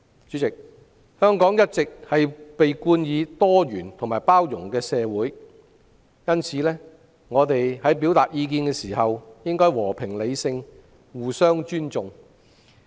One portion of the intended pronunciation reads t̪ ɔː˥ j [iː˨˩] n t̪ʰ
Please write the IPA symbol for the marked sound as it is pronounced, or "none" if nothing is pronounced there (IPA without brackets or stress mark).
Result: yː˨˩